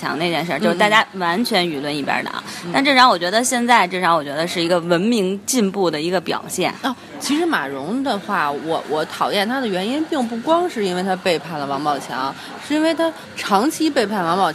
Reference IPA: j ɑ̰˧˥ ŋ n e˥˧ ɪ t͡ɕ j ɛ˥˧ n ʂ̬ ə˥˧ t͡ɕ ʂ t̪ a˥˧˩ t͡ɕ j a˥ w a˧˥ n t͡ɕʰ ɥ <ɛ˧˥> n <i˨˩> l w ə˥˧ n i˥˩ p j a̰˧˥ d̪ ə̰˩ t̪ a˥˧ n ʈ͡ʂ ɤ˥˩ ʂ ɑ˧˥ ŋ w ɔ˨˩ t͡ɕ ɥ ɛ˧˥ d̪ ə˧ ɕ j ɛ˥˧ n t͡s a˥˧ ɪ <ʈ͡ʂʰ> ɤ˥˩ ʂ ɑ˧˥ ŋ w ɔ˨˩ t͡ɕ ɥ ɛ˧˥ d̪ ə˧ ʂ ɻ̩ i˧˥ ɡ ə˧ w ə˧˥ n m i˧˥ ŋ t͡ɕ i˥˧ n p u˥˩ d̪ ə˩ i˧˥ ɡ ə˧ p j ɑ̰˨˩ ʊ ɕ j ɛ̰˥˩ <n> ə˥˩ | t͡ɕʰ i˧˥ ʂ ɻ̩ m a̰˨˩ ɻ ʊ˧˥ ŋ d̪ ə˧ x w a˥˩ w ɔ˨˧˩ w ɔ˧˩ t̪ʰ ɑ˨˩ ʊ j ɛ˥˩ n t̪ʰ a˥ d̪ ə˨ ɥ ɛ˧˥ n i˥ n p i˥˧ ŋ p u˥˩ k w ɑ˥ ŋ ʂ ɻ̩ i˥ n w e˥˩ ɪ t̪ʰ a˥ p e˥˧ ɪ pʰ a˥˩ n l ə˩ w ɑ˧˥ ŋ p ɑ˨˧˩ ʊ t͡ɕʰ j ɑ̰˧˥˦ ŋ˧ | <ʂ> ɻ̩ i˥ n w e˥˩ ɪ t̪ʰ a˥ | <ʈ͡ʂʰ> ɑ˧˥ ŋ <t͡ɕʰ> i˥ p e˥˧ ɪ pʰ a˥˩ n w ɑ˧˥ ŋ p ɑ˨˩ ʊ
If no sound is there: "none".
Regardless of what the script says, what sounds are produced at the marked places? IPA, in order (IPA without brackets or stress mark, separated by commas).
ɛ˧˥, y˨˩, ʈ͡ʂ, n, ʂ, ʈ͡ʂʰ, t͡ɕʰ